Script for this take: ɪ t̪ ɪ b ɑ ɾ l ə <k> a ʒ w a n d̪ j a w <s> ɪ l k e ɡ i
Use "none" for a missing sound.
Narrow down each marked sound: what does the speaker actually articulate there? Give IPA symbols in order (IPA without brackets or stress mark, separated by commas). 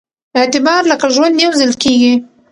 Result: k, z